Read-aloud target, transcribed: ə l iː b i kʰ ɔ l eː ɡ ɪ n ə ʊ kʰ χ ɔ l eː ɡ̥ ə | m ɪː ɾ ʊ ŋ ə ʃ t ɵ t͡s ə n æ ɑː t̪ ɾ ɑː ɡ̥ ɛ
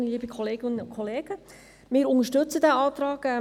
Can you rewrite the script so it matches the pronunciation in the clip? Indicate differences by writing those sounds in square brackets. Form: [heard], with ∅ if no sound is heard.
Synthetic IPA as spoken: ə l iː b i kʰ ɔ l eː ɡ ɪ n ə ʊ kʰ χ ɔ l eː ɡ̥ ə | m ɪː ɾ ʊ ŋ ə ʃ t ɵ t͡s ə [d] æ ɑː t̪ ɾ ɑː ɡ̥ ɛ